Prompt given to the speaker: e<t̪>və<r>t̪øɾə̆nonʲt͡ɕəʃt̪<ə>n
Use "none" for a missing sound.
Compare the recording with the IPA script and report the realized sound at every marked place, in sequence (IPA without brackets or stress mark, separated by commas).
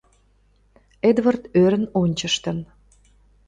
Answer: d̪, r, ə